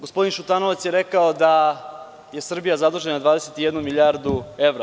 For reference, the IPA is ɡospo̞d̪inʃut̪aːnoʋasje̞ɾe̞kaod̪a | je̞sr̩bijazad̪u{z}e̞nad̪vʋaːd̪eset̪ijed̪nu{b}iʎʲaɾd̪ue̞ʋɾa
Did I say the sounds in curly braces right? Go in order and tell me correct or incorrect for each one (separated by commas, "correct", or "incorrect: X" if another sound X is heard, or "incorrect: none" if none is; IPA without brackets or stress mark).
incorrect: ʒ, incorrect: m